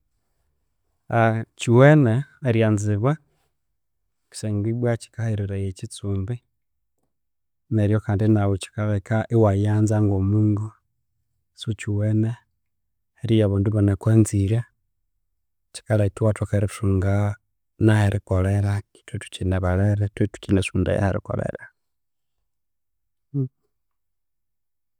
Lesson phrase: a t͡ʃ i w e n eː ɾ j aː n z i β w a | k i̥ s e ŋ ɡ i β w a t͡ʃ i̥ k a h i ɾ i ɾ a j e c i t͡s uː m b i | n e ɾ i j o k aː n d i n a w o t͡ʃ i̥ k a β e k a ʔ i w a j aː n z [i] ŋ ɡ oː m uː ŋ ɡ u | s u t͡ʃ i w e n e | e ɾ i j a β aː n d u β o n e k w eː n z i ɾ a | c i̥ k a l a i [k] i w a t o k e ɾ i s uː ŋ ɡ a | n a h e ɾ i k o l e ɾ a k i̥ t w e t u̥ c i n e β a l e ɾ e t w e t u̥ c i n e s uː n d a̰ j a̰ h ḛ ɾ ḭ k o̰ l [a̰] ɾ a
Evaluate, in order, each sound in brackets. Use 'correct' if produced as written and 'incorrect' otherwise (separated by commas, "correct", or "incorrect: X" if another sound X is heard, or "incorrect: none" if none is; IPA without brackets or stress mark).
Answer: incorrect: a, incorrect: t, incorrect: ḛ